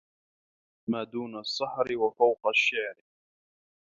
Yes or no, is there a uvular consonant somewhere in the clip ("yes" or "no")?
yes